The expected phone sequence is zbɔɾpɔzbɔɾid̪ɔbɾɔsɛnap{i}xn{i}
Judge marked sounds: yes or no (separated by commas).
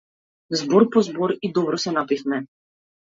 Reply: yes, no